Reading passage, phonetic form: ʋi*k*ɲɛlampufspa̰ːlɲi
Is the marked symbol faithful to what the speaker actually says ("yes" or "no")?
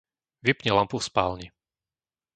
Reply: no